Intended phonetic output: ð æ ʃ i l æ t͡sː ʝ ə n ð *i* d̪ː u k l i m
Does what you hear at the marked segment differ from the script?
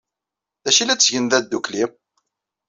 yes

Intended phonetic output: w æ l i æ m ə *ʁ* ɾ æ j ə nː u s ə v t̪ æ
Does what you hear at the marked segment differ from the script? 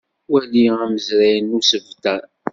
yes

